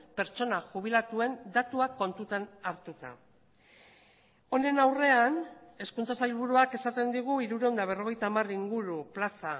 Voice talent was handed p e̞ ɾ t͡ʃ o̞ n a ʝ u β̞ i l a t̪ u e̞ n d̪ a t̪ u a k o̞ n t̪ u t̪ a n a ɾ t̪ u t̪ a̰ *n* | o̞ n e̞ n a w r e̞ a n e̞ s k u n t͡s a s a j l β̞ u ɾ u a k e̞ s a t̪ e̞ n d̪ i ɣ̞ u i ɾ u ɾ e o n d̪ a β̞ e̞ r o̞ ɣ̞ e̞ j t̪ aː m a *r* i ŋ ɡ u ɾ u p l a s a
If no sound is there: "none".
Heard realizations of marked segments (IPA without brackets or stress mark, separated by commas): none, r